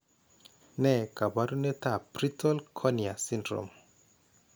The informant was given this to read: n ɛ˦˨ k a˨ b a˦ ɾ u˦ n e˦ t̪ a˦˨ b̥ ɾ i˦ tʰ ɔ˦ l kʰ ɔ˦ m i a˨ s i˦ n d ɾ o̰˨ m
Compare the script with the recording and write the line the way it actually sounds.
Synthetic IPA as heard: n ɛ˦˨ k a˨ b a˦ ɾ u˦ n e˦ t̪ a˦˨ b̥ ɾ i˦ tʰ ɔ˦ l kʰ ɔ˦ n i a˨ s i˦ n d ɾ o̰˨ m